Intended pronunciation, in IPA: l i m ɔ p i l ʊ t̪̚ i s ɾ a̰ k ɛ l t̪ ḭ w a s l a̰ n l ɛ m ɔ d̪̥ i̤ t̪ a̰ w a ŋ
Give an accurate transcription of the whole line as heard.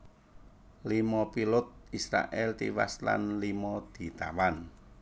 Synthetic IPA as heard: l i m ɔ p i l ʊ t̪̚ i s ɾ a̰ ʔ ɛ l t̪ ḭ w a s l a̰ n l i m ɔ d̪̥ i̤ t̪ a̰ w a n